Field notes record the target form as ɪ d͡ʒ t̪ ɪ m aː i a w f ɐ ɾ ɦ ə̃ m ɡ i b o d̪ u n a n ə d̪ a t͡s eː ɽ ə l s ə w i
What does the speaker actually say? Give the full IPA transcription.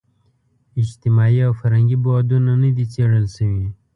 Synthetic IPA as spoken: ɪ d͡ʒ t̪ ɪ m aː i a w f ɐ ɾ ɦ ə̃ ŋ ɡ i b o d̪ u n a n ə d̪ i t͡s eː ɽ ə l s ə w i